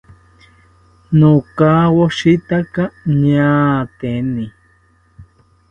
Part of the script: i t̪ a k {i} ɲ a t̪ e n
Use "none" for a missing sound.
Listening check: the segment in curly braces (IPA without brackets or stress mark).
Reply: a